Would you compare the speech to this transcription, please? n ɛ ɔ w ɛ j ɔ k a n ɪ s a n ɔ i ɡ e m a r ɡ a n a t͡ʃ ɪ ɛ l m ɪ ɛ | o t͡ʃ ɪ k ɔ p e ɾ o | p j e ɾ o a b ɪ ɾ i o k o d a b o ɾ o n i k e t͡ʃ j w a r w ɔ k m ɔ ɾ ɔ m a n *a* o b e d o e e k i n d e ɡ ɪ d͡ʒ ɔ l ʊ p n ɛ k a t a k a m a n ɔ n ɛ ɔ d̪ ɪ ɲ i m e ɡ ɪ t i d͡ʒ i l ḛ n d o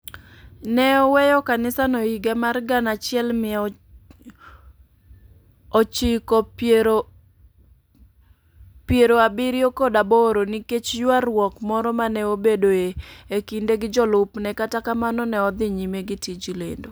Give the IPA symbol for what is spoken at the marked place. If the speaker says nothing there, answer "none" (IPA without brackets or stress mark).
ɛ